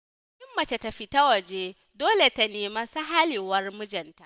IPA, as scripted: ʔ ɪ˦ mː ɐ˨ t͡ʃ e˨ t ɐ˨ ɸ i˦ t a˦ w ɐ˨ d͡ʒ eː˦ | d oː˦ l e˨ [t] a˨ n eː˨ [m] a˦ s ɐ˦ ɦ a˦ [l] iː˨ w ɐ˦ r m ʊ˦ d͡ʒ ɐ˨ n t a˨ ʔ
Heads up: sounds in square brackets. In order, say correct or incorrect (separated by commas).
correct, correct, correct